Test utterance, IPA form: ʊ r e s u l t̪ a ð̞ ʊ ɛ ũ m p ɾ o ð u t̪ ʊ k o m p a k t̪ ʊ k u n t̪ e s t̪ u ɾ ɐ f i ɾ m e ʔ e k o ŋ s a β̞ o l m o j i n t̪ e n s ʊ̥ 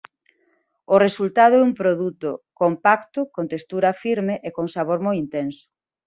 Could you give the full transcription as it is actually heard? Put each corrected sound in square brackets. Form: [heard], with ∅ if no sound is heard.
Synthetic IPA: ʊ r e s u l t̪ a ð̞ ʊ ɛ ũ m p ɾ o ð u t̪ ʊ k o m p a k t̪ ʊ k [o] n t̪ e s t̪ u ɾ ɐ f i ɾ m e ʔ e k o ŋ s a β̞ o [ɾ] m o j i n t̪ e n s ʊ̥